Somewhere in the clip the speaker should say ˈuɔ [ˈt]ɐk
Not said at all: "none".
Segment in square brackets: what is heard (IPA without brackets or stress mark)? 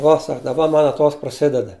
s